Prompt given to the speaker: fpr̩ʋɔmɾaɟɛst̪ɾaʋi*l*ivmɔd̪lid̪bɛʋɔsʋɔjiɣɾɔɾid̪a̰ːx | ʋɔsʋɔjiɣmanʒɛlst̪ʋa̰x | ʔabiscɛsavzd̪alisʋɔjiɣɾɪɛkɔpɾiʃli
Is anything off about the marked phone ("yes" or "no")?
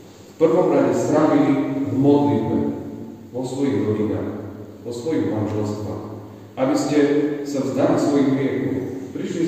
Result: no